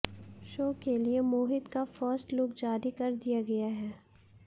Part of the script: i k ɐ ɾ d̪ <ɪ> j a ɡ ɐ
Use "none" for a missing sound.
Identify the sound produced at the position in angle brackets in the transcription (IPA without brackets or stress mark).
i